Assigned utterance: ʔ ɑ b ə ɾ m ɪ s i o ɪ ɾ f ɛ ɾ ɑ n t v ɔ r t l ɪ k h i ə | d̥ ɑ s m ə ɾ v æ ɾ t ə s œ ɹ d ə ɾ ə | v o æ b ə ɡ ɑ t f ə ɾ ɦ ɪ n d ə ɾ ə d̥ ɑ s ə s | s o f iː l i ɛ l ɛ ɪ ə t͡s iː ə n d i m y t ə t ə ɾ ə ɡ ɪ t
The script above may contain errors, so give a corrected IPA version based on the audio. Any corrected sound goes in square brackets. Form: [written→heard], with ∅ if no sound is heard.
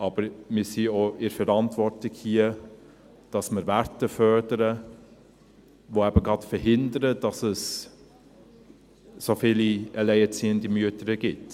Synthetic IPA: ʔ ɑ b ə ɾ m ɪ s i o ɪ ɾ f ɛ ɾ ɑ n t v ɔ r t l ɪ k h i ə | d̥ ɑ s m ə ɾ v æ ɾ t ə [s→f] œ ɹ d ə ɾ ə | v o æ b ə ɡ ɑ t f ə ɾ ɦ ɪ n d ə ɾ ə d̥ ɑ s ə s | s o f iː l i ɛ l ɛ ɪ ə t͡s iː ə n d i m y [t→∅] ə t ə ɾ ə ɡ ɪ t